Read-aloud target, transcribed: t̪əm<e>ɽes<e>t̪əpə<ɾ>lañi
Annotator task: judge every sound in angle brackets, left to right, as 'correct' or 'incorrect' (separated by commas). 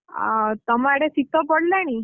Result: incorrect, incorrect, incorrect